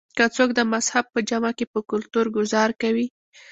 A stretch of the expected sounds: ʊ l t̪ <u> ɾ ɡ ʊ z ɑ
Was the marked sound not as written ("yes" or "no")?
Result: no